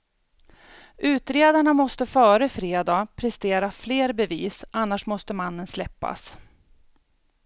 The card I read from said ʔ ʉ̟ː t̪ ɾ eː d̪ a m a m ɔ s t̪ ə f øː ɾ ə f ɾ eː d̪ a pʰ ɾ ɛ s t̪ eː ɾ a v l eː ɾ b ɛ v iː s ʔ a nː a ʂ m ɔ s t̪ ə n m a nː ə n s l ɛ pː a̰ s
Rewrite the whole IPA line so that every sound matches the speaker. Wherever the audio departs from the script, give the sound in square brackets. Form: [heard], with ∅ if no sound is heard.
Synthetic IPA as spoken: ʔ ʉ̟ː t̪ ɾ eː d̪ a [ɳ] a m ɔ s t̪ ə f [œː] ɾ ə f ɾ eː d̪ a pʰ ɾ ɛ s t̪ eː ɾ a [f] l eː ɾ b ɛ v iː s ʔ a nː a ʂ m ɔ s t̪ ə [∅] m a nː ə n s l ɛ pː a̰ s